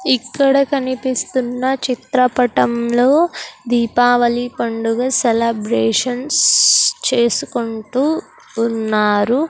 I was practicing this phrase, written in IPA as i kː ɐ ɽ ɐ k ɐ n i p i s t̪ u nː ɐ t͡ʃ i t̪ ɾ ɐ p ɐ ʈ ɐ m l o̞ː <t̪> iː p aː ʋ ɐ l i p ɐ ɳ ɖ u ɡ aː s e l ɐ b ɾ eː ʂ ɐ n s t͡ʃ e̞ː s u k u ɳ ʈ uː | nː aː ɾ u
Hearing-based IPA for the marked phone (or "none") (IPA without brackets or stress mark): d̪